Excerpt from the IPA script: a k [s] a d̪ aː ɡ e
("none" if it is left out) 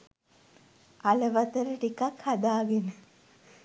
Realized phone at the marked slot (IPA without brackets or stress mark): h